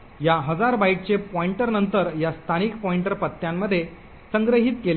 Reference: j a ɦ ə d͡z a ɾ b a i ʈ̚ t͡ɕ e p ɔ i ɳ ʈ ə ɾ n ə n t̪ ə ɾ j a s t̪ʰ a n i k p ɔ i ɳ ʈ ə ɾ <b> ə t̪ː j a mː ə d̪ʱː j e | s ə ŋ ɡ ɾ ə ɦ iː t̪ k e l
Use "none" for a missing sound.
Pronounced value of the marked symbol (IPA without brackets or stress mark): p